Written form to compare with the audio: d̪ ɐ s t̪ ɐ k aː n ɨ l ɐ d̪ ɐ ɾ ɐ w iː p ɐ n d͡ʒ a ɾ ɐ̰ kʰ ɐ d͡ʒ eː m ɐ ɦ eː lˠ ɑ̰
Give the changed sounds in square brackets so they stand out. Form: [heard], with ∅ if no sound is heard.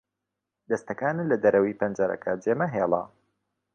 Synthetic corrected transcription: d̪ ɐ s t̪ ɐ k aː n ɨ l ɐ d̪ ɐ ɾ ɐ w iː p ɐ n d͡ʒ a ɾ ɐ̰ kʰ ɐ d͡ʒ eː m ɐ ɦ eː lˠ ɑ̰